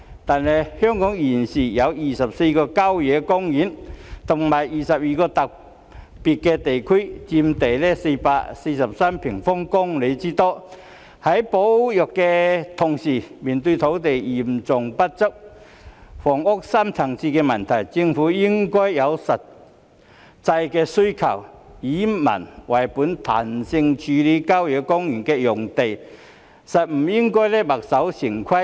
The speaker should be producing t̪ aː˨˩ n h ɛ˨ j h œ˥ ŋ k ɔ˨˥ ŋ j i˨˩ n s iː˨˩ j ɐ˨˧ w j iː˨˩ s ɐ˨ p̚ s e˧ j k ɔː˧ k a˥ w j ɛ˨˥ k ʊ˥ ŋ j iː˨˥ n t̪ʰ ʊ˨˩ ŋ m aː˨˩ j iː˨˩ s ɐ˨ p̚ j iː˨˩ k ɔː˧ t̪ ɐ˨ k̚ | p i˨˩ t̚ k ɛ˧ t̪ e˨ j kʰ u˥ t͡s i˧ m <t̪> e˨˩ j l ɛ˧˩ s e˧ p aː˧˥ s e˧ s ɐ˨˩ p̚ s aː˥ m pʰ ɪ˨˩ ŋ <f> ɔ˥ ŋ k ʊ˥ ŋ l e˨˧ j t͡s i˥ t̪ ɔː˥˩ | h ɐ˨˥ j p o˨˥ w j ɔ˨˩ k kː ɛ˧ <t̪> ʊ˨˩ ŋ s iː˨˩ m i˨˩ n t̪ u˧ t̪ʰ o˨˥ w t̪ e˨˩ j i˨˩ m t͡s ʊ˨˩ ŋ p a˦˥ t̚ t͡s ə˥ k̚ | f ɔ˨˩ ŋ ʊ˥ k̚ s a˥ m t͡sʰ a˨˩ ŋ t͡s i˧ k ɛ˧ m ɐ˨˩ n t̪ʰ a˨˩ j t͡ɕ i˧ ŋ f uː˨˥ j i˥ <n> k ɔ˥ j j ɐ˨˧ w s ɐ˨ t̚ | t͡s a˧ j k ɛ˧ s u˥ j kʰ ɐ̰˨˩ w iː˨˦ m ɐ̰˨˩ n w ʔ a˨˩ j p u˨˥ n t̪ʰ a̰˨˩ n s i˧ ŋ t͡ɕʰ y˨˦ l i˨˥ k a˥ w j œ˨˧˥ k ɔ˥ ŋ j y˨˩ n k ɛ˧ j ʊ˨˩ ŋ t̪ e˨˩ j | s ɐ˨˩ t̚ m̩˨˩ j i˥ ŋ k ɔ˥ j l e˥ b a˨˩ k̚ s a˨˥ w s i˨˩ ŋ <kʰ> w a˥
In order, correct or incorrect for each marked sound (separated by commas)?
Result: correct, correct, incorrect, incorrect, correct